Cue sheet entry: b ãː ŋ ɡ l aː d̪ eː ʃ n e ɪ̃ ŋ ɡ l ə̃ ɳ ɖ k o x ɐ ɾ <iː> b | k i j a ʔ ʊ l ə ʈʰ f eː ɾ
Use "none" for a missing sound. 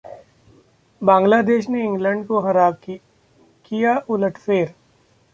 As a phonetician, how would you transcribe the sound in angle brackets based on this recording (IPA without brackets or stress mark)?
aː